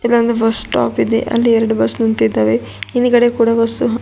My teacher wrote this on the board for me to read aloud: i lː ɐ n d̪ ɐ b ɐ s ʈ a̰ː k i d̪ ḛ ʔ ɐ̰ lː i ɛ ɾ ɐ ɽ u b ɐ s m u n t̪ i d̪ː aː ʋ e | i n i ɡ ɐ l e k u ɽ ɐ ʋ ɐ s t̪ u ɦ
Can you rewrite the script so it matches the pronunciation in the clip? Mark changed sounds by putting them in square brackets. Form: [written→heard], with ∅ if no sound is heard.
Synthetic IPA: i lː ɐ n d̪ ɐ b ɐ s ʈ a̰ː [k→p] i d̪ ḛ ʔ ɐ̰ lː i ɛ ɾ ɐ ɽ u b ɐ s [m→n] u n t̪ i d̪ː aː ʋ e | i n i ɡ ɐ [l→ɽ] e k [u→uː] ɽ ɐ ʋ ɐ s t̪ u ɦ

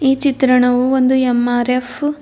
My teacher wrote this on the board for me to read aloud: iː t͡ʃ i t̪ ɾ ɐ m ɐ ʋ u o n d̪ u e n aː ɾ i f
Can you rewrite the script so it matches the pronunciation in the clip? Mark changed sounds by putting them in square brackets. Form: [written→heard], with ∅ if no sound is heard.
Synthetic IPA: iː t͡ʃ i t̪ ɾ ɐ [m→ɳ] ɐ ʋ u o n d̪ u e [n→m] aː ɾ [i→e] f

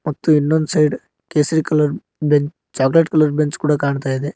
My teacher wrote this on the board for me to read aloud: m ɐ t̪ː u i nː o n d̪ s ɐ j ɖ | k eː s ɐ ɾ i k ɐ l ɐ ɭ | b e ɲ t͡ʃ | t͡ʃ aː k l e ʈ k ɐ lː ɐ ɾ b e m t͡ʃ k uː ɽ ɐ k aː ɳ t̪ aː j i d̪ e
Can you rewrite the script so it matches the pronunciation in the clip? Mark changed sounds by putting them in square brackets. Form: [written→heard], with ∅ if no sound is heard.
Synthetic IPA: m ɐ t̪ː u i nː o n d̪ s ɐ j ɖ | k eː s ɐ ɾ i k ɐ l ɐ [ɭ→ɾ] | b e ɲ t͡ʃ | t͡ʃ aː k l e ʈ k ɐ [lː→l] ɐ ɾ b e [m→ɲ] t͡ʃ k uː ɽ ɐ k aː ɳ t̪ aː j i d̪ e

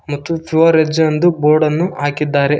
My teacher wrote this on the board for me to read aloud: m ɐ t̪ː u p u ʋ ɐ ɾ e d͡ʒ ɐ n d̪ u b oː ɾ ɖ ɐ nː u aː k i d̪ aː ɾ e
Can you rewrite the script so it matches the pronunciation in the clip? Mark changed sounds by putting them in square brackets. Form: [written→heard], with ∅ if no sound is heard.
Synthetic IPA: m ɐ t̪ː u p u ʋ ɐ ɾ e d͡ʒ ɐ n d̪ u b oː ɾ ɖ ɐ nː u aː k i [d̪→d̪ː] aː ɾ e

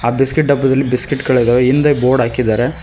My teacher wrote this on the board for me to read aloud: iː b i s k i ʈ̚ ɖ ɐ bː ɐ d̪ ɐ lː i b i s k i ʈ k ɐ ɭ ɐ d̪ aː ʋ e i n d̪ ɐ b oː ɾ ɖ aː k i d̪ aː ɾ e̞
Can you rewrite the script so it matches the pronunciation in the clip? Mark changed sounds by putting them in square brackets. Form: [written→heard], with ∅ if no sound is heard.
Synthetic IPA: [iː→aː] b i s k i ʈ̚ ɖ ɐ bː ɐ d̪ ɐ lː i b i s k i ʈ k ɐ ɭ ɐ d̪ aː ʋ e i n d̪ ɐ b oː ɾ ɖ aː k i d̪ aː ɾ e̞

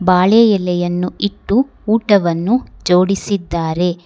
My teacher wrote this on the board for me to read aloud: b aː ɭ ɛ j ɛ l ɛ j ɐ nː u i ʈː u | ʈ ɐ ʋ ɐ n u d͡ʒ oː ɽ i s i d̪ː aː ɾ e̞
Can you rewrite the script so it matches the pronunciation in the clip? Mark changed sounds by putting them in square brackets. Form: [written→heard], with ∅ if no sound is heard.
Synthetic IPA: b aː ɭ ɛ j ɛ l ɛ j ɐ nː u i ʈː [u→uː] | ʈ ɐ ʋ ɐ [n→nː] u d͡ʒ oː ɽ i s i d̪ː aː ɾ e̞

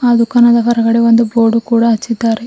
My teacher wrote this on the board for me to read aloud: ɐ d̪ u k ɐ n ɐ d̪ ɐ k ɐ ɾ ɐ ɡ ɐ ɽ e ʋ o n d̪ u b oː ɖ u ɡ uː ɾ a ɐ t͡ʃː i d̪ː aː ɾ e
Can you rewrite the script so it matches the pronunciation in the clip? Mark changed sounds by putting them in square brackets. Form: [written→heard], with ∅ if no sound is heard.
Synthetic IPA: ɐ d̪ u k ɐ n ɐ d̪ ɐ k ɐ ɾ ɐ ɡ ɐ ɽ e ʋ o n d̪ u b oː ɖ u [ɡ→k] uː [ɾ→ɽ] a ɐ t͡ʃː i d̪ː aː ɾ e

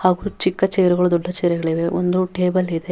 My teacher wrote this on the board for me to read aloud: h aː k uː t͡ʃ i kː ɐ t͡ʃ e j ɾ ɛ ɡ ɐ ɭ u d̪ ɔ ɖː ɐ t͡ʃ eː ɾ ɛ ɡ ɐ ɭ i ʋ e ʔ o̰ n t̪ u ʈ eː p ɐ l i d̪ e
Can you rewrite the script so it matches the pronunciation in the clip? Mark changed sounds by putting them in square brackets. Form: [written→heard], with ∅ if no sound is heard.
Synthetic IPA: h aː [k→ɡ] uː t͡ʃ i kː ɐ t͡ʃ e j ɾ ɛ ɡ ɐ ɭ u d̪ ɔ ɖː ɐ t͡ʃ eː ɾ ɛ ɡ ɐ ɭ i ʋ e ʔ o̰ n [t̪→d̪] u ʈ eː [p→b] ɐ l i d̪ e

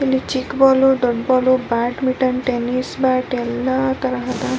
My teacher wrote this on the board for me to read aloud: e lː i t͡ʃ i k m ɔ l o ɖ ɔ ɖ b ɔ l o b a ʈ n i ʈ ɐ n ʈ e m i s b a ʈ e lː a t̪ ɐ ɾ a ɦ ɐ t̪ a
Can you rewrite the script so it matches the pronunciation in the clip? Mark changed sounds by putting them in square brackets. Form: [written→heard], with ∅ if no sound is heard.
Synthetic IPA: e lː i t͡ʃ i k [m→b] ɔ l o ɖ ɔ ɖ b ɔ l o b a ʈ [n→m] i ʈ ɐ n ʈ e [m→n] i s b a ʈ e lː a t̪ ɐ ɾ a ɦ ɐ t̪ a

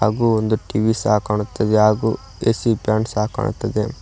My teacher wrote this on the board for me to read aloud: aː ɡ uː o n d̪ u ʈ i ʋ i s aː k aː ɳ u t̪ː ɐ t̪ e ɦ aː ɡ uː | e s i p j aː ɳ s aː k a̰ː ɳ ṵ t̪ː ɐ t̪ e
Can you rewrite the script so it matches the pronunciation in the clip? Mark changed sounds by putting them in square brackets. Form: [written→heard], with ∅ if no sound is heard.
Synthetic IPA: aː ɡ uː o n d̪ u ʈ i ʋ i s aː k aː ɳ u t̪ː ɐ [t̪→d̪] e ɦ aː ɡ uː | e s i p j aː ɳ s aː k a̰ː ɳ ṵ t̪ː ɐ [t̪→d̪] e

